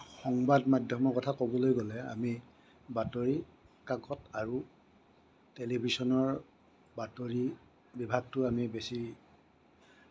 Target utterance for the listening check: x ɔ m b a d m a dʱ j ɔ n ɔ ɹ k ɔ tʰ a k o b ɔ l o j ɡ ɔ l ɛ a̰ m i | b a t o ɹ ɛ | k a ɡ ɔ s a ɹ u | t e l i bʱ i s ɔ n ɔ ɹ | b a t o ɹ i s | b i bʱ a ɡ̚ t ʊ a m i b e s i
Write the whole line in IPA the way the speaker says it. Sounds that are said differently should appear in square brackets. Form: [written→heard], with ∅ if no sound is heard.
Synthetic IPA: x ɔ [m→ŋ] b a d m a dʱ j ɔ [n→m] ɔ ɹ k ɔ tʰ a k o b ɔ l o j ɡ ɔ l ɛ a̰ m i | b a t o ɹ [ɛ→i] | k a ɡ ɔ [s→t] a ɹ u | t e l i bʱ i s ɔ n ɔ ɹ | b a t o ɹ i [s→∅] | b i bʱ a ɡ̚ t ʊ a m i b e s i